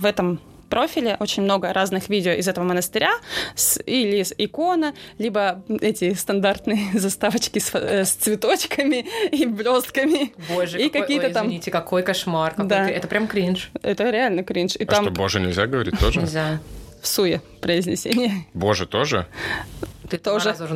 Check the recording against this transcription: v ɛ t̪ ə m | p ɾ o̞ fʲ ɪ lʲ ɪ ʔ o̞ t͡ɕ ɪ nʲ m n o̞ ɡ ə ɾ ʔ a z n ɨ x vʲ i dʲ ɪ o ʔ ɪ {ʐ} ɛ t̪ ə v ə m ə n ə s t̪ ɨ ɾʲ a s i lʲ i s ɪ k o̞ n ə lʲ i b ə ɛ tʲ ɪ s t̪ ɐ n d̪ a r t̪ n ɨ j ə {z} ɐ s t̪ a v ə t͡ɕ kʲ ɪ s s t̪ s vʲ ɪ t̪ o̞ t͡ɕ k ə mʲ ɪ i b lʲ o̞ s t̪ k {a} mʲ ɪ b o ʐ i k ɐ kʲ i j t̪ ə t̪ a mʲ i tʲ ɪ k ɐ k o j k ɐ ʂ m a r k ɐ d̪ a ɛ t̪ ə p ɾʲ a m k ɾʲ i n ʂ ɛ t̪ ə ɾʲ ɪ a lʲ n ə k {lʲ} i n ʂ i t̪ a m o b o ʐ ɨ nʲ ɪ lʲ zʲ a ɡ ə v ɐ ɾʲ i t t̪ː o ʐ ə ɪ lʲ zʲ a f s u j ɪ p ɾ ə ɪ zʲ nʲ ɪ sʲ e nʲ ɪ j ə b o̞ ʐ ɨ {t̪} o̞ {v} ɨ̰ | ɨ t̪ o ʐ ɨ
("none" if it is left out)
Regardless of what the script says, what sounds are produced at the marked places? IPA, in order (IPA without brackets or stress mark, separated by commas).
z, z, ə, ɾʲ, t̪, ʐ